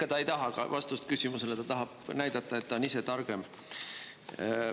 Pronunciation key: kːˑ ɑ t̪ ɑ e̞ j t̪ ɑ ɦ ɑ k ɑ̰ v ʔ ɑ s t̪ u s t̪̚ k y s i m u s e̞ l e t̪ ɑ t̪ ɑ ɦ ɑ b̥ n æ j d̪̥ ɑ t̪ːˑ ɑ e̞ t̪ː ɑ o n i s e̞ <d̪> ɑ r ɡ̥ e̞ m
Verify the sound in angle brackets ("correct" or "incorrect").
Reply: incorrect